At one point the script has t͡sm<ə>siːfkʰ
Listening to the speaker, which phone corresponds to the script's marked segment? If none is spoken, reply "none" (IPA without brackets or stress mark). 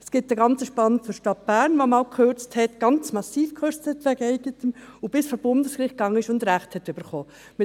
ɑ